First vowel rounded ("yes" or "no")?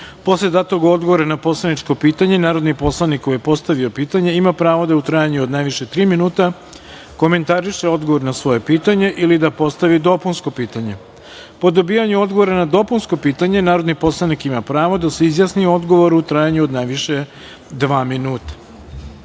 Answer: yes